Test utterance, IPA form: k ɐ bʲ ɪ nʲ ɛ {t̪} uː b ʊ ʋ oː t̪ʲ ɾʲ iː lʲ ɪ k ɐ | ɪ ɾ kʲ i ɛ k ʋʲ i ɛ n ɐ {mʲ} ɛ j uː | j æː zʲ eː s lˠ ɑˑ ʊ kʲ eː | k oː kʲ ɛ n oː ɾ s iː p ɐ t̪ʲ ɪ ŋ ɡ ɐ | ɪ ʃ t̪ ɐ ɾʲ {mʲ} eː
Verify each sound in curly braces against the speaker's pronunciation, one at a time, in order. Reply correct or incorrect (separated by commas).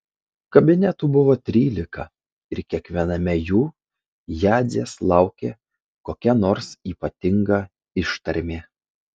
correct, correct, correct